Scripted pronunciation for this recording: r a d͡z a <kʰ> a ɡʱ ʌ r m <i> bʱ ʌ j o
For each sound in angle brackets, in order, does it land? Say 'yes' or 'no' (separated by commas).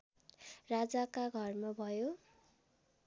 no, no